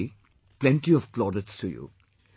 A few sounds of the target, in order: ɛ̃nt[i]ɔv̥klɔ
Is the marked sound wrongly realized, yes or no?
no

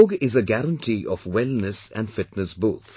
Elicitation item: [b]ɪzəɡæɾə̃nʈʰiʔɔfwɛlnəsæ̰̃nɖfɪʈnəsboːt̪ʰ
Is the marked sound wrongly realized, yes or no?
yes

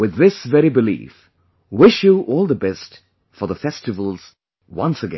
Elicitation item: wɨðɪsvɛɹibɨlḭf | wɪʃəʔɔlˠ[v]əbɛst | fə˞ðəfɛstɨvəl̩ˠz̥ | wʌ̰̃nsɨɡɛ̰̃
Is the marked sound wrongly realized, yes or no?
yes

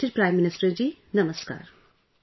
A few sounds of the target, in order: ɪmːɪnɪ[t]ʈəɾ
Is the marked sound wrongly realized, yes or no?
yes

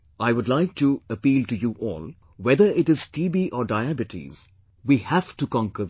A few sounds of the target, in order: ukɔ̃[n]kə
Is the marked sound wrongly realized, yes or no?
yes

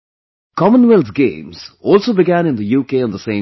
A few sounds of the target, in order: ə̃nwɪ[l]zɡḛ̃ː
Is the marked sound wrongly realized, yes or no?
no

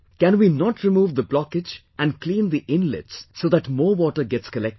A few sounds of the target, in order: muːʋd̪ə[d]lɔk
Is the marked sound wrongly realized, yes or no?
yes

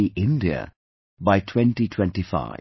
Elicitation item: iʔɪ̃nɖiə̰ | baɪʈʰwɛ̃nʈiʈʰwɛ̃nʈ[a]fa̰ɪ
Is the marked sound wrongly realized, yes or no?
yes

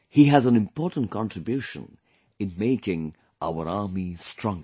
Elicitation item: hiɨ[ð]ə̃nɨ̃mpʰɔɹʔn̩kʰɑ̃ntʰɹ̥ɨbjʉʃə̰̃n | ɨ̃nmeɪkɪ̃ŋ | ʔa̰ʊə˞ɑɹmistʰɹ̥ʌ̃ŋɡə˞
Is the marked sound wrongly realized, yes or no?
yes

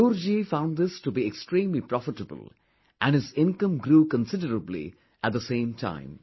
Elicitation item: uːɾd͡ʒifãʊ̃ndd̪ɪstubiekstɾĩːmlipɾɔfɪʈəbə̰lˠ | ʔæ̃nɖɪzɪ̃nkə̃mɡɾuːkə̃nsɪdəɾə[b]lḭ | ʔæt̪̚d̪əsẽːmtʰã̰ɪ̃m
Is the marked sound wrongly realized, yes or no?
no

